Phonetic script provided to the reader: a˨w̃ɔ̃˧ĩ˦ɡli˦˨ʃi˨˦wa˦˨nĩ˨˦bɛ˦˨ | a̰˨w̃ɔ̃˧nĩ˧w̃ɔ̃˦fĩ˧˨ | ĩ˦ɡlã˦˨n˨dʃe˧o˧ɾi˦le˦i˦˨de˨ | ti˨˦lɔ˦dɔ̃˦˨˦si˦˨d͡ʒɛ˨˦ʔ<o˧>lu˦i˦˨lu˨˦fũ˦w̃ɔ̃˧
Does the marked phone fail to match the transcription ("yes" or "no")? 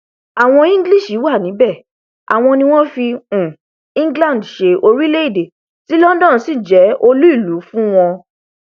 no